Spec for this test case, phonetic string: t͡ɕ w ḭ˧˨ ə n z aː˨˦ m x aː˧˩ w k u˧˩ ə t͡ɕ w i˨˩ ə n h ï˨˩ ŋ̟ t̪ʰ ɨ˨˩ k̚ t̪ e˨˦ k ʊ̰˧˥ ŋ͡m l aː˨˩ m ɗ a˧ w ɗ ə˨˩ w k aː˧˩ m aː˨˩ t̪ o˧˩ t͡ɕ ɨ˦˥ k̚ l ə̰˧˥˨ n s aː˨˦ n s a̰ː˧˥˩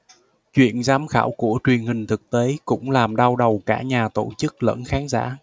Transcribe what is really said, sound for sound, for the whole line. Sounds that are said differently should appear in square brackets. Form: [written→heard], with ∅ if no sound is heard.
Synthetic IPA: t͡ɕ w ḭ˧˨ ə n z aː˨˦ m x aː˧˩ w k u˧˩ ə t͡ɕ w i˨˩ ə n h ï˨˩ ŋ̟ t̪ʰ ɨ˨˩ k̚ t̪ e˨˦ k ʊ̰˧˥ ŋ͡m l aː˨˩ m ɗ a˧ w ɗ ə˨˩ w k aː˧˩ [m→ɲ] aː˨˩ t̪ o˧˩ t͡ɕ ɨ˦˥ k̚ l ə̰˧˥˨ n [s→x] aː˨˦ n [s→z] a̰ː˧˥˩

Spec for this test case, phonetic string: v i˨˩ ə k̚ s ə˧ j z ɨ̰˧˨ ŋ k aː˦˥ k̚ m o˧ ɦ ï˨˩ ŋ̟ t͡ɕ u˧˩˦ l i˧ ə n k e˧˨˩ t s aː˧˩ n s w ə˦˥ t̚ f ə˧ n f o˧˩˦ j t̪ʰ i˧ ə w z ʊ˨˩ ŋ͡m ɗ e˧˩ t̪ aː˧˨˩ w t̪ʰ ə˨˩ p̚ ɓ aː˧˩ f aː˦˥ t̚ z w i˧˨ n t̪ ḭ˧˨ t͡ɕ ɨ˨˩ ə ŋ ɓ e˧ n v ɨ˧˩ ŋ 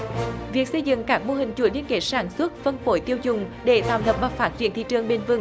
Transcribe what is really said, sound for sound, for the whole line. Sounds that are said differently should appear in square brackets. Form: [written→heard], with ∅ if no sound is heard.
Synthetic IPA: v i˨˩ ə k̚ s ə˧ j z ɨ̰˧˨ ŋ k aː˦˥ k̚ m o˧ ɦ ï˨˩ ŋ̟ t͡ɕ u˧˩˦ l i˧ ə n k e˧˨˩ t s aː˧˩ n s w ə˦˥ t̚ f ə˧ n f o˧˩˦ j [t̪ʰ→t̪] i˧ ə w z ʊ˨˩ ŋ͡m ɗ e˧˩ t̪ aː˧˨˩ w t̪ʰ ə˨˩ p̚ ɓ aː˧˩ f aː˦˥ t̚ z w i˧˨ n t̪ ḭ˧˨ t͡ɕ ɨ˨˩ ə ŋ ɓ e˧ n v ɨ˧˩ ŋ

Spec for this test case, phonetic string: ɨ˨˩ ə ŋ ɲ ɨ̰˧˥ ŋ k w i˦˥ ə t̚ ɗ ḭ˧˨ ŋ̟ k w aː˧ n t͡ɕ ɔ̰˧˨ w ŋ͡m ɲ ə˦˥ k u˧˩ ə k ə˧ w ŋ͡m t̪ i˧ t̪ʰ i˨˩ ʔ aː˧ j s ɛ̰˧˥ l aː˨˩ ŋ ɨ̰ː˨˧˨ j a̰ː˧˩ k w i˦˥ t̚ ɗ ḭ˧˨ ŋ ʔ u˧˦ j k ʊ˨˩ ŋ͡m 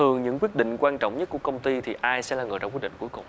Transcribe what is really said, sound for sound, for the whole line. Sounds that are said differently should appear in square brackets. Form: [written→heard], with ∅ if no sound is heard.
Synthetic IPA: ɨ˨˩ ə ŋ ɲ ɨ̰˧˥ ŋ k w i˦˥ ə t̚ ɗ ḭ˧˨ ŋ̟ k w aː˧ n t͡ɕ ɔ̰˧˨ w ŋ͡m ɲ ə˦˥ k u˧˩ ə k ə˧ w ŋ͡m t̪ i˧ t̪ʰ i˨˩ ʔ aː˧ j s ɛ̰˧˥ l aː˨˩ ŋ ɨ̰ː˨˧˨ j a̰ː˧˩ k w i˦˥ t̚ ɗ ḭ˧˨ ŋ [ʔ→k] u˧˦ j k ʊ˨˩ ŋ͡m

